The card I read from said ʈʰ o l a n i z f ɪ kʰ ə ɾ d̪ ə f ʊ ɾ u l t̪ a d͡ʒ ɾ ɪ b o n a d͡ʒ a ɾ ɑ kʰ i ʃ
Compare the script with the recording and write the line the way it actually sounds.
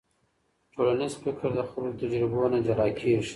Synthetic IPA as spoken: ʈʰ o l a n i z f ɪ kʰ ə ɾ d̪ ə x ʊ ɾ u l t̪ a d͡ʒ ɾ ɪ b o n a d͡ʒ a ɾ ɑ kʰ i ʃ